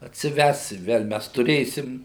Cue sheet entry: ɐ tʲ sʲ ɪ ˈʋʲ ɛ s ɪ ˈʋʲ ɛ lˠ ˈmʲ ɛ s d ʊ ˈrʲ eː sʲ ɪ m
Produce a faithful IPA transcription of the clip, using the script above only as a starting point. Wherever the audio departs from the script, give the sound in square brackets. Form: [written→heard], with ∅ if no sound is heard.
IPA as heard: ɐ tʲ sʲ ɪ ˈʋʲ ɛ s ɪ ˈʋʲ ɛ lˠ ˈmʲ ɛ s [d→t] ʊ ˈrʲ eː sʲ ɪ m